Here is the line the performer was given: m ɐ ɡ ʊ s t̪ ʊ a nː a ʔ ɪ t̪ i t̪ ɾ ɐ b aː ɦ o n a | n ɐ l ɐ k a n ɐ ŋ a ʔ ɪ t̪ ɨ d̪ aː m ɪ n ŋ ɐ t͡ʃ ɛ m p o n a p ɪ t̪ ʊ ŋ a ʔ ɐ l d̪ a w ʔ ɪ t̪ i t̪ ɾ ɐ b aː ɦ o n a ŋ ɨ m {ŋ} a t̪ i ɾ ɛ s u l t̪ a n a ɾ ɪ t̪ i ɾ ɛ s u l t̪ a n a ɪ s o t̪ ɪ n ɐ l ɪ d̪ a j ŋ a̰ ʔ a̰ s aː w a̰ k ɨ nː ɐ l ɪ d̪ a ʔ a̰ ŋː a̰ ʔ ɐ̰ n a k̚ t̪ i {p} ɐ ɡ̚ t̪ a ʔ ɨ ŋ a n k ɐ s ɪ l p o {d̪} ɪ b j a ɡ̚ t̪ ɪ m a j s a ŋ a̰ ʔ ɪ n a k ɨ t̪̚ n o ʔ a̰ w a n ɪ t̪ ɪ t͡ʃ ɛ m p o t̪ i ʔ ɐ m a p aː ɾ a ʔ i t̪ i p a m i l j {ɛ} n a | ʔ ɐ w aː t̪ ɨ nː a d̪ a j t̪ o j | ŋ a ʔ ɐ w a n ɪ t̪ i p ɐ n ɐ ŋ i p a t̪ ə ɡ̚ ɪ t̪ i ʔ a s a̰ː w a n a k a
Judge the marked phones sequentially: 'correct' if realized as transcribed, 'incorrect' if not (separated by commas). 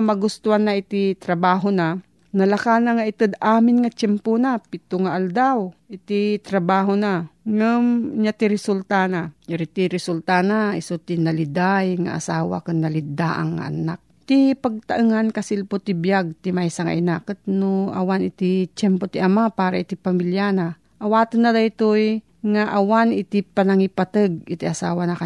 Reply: incorrect, correct, incorrect, incorrect